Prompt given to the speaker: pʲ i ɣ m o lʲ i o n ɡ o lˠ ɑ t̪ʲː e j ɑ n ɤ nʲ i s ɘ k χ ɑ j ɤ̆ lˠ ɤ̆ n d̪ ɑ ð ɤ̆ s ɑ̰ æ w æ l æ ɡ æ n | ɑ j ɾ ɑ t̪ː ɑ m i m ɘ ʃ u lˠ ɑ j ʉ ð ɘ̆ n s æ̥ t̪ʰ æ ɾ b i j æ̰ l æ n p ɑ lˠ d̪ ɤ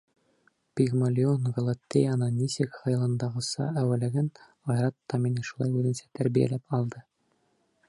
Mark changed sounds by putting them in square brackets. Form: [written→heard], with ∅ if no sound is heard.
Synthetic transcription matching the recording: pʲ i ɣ m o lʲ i o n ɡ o lˠ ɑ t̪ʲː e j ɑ n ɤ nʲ i s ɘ k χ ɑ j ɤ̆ lˠ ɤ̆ n d̪ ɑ [ð→ʁ] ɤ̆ s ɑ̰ æ w æ l æ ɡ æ n | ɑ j ɾ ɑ t̪ː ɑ m i [m→n] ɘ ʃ u lˠ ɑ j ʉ ð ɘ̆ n s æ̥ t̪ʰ æ ɾ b i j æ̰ l æ [n→∅] p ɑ lˠ d̪ ɤ

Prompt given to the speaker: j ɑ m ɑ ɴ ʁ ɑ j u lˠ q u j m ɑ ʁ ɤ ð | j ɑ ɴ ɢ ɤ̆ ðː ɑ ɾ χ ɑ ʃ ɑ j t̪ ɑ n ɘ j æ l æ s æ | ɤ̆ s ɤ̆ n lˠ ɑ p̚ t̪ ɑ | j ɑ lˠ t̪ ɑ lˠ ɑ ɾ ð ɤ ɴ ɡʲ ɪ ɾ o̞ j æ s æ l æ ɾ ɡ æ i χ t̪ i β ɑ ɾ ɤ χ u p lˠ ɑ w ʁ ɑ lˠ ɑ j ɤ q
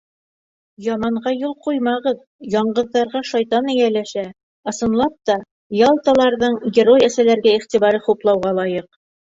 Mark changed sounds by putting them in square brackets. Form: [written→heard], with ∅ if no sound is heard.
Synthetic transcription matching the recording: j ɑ m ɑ ɴ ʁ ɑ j u lˠ q u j m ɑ ʁ ɤ ð | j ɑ ɴ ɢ ɤ̆ ðː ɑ ɾ [χ→ʁ] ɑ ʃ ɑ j t̪ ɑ n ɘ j æ l æ [s→ʃ] æ | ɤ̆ s ɤ̆ n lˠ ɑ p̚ t̪ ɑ | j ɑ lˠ t̪ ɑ lˠ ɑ ɾ ð ɤ ɴ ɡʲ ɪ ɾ o̞ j æ s æ l æ ɾ ɡ æ i χ t̪ i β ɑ ɾ ɤ χ u p lˠ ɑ w ʁ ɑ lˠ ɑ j ɤ q

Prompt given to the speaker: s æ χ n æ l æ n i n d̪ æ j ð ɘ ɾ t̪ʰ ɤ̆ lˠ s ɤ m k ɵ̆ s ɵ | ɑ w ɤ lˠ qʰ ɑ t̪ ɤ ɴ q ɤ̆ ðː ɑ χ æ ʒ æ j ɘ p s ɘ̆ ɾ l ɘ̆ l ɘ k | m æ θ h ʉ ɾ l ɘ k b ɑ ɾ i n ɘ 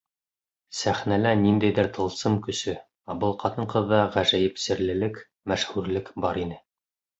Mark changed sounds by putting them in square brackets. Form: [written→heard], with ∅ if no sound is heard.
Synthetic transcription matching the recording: s æ χ n æ l æ n i n d̪ æ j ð ɘ ɾ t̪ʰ ɤ̆ lˠ s ɤ m k ɵ̆ s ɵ | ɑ [w→b] ɤ lˠ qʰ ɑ t̪ ɤ ɴ q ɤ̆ ðː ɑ [χ→ʁ] æ ʒ æ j ɘ p s ɘ̆ ɾ l ɘ̆ l ɘ k | m æ [θ→ʃ] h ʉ ɾ l ɘ k b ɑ ɾ i n ɘ

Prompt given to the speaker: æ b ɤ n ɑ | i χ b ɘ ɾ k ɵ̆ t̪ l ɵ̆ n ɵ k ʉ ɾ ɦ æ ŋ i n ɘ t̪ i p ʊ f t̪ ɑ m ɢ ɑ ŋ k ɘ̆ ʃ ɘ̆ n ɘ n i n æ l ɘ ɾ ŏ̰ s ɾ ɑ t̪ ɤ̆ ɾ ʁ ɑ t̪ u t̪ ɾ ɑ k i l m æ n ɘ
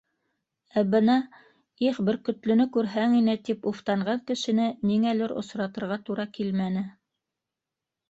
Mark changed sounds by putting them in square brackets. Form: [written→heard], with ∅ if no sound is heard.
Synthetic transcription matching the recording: æ b ɤ n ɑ | i χ b ɘ ɾ k ɵ̆ t̪ l ɵ̆ n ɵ k ʉ ɾ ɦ æ ŋ i n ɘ t̪ i p [ʊ→u] f t̪ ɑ [m→ɴ] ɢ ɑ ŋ k ɘ̆ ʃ ɘ̆ n ɘ n i [n→ŋ] æ l ɘ ɾ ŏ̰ s ɾ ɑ t̪ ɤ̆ ɾ ʁ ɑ t̪ u [t̪→∅] ɾ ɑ k i l m æ n ɘ

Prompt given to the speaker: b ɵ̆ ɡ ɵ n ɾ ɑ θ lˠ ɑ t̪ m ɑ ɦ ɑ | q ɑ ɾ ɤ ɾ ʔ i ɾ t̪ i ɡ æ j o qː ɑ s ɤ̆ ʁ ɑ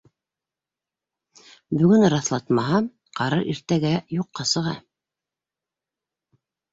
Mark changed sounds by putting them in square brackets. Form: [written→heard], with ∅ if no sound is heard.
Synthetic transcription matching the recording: b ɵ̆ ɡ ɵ n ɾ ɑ θ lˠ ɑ t̪ m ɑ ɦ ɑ | q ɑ ɾ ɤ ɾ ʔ i ɾ t̪ [i→æ] ɡ æ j [o→u] qː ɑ s ɤ̆ ʁ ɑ

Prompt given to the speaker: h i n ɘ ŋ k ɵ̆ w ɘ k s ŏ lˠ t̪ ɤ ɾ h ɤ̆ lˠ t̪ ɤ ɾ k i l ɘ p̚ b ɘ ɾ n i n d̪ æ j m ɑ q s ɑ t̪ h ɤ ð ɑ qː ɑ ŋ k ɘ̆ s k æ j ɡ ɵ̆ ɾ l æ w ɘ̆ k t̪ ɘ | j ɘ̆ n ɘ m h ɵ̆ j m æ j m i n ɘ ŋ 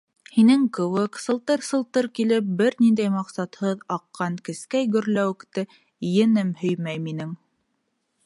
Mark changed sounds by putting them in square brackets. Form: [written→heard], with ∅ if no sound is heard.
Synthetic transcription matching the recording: h i n ɘ ŋ k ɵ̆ w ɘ k s [ŏ→ɤ̆] lˠ t̪ ɤ ɾ [h→s] ɤ̆ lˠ t̪ ɤ ɾ k i l ɘ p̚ b ɘ ɾ n i n d̪ æ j m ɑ q s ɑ t̪ h ɤ ð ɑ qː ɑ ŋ k ɘ̆ s k æ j ɡ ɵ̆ ɾ l æ w ɘ̆ k t̪ ɘ | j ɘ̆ n ɘ m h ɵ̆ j m æ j m i n ɘ ŋ

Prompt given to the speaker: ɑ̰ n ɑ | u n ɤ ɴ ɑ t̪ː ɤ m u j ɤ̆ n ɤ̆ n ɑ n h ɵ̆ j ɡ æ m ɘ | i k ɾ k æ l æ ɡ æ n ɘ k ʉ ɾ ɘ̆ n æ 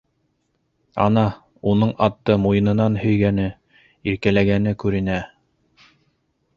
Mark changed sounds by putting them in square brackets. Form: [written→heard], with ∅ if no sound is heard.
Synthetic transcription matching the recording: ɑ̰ n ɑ | u n ɤ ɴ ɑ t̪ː ɤ m u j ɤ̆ n ɤ̆ n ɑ n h ɵ̆ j ɡ æ [m→n] ɘ | i [k→∅] ɾ k æ l æ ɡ æ n ɘ k ʉ ɾ ɘ̆ n æ

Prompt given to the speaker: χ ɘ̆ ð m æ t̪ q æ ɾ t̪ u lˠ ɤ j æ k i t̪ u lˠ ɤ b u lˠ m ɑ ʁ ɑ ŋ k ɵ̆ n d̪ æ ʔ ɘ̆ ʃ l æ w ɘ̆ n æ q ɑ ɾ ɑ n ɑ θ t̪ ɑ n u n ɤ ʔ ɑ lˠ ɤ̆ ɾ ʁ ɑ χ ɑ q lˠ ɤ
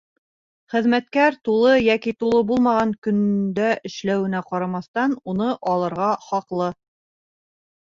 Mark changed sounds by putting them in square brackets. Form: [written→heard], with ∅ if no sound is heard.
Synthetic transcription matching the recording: χ ɘ̆ ð m æ t̪ [q→k] æ ɾ t̪ u lˠ ɤ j æ k i t̪ u lˠ ɤ b u lˠ m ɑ ʁ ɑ ŋ k ɵ̆ n d̪ æ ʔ ɘ̆ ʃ l æ w ɘ̆ n æ q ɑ ɾ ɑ [n→m] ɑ θ t̪ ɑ n u n ɤ ʔ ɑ lˠ ɤ̆ ɾ ʁ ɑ χ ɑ q lˠ ɤ

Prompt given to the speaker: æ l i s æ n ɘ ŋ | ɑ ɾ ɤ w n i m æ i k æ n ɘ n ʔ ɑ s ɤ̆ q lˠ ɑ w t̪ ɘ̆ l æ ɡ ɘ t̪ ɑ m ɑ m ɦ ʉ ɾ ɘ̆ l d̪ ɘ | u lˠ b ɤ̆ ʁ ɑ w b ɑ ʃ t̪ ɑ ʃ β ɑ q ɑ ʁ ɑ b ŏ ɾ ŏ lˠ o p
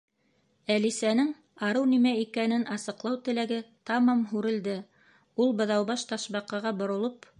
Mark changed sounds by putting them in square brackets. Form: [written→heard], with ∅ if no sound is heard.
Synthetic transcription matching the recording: æ l i s æ n ɘ ŋ | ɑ ɾ ɤ w n i m æ i k æ n ɘ n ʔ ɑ s ɤ̆ q lˠ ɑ w t̪ ɘ̆ l æ ɡ ɘ t̪ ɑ m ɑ m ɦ ʉ ɾ ɘ̆ l d̪ ɘ | u lˠ b ɤ̆ [ʁ→ð] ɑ w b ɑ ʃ t̪ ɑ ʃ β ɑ q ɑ ʁ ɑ b ŏ ɾ ŏ lˠ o p

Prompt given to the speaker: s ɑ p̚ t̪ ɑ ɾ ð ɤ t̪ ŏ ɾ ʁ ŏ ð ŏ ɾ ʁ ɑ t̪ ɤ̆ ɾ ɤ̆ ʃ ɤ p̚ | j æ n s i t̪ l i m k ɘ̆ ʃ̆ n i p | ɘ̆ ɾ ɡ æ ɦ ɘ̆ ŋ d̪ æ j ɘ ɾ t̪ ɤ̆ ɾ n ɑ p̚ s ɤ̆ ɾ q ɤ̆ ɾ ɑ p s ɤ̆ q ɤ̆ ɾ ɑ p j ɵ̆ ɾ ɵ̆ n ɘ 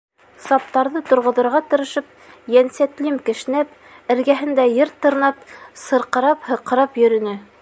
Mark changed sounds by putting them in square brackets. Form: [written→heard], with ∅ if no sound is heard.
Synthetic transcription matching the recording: s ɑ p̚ t̪ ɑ ɾ ð ɤ t̪ ŏ ɾ ʁ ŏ ð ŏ ɾ ʁ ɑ t̪ ɤ̆ ɾ ɤ̆ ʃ ɤ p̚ | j æ n s [i→æ] t̪ l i m k ɘ̆ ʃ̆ n [i→æ] p | ɘ̆ ɾ ɡ æ ɦ ɘ̆ [ŋ→n] d̪ æ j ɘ ɾ t̪ ɤ̆ ɾ n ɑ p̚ s ɤ̆ ɾ q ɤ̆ ɾ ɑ p [s→h] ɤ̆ q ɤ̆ ɾ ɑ p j ɵ̆ ɾ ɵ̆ n ɘ

